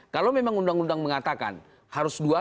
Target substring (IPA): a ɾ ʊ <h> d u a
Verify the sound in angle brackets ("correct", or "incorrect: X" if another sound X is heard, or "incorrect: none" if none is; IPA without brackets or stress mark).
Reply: incorrect: s